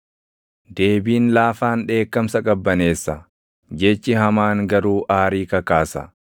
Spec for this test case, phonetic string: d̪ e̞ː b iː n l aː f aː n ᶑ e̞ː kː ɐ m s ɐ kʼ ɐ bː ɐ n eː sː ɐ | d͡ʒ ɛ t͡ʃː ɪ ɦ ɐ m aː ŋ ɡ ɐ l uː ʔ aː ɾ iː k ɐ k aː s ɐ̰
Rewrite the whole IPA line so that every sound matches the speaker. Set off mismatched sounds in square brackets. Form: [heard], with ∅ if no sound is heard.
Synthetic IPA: d̪ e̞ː b iː n l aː f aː n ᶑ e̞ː kː ɐ m s ɐ kʼ ɐ bː ɐ n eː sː ɐ | d͡ʒ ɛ t͡ʃː ɪ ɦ ɐ m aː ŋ ɡ ɐ [ɾ] uː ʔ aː ɾ iː k ɐ k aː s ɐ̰